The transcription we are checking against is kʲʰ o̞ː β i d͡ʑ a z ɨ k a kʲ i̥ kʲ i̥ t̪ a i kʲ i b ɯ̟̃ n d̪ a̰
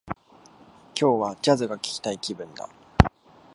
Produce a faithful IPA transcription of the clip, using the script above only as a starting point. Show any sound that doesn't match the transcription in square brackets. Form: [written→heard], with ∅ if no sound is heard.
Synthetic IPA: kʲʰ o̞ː β [i→a] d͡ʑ a z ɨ [k→ɡ] a kʲ i̥ kʲ i̥ t̪ a i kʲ i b ɯ̟̃ n d̪ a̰